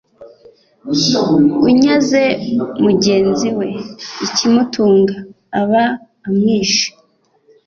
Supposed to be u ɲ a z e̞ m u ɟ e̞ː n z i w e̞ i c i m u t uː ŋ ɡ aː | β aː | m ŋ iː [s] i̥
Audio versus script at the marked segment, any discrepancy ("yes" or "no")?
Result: yes